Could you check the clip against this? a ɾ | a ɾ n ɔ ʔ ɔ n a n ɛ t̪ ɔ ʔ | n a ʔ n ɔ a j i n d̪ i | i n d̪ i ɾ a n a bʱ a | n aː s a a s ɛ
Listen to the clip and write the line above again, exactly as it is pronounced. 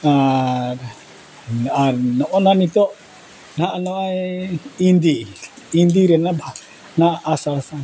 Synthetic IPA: a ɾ | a ɾ n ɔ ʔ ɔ n a n i t̪ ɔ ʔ | n a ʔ n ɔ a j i n d̪ i | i n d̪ i ɾ ɛ n a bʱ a | n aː s a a s a